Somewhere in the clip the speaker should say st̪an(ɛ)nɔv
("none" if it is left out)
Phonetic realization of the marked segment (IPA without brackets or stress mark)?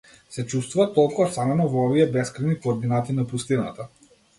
ɛ